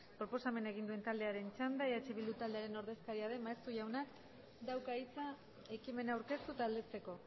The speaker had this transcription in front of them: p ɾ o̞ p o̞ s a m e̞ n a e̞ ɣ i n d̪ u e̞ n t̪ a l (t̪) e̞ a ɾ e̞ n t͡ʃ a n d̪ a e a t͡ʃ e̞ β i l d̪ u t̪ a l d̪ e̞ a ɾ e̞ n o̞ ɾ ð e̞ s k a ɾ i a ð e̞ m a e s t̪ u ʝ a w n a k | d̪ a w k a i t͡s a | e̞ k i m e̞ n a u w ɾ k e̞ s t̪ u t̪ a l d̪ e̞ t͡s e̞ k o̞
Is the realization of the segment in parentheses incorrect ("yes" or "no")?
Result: yes